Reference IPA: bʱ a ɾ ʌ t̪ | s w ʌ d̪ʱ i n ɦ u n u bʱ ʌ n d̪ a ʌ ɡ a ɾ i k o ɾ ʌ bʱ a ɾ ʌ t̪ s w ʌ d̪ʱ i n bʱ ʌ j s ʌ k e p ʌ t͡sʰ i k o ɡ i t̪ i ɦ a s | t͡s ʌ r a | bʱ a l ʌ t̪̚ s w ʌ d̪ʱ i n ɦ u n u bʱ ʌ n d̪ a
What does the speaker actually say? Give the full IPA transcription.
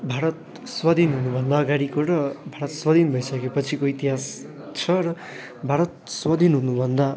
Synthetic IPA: bʱ a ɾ ʌ t̪ | s w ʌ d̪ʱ i n ɦ u n u bʱ ʌ n d̪ a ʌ ɡ a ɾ i k o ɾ ʌ bʱ a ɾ ʌ t̪ s w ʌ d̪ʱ i n bʱ ʌ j s ʌ k e p ʌ t͡sʰ i k o i t̪ i ɦ a s | t͡sʰ ʌ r ʌ | bʱ a ɾ ʌ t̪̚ s w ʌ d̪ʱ i n ɦ u n u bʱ ʌ n d̪ a